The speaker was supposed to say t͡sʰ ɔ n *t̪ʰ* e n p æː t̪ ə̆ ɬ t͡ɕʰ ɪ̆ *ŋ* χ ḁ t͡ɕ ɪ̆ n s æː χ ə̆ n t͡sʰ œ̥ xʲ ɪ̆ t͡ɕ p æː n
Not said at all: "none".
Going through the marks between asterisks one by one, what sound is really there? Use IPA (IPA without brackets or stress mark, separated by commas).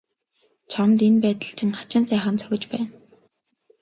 t̪, ŋ